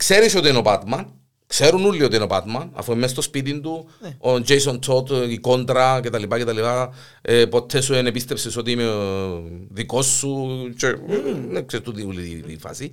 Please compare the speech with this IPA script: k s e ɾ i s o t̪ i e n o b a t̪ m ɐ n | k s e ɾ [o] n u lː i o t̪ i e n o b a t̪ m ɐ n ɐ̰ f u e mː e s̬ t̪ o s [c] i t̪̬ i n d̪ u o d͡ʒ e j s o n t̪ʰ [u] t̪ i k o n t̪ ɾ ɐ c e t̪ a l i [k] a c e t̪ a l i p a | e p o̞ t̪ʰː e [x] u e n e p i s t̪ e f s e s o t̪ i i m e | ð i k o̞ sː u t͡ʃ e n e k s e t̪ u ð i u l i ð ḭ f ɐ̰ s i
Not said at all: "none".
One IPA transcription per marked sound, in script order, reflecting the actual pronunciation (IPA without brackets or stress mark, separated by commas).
u, p, o, p, s